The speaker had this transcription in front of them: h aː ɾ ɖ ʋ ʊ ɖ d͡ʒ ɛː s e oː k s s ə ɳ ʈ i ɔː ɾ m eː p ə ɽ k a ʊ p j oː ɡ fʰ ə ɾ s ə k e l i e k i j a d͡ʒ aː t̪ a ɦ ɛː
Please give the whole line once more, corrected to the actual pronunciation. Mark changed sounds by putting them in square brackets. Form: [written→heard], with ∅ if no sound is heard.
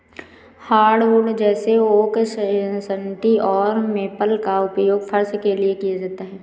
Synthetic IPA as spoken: h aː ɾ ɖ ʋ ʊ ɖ d͡ʒ ɛː s e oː k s s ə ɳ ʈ i ɔː ɾ m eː p ə [ɽ→l] k a ʊ p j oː ɡ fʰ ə ɾ s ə k e l i e k i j a d͡ʒ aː t̪ a ɦ ɛː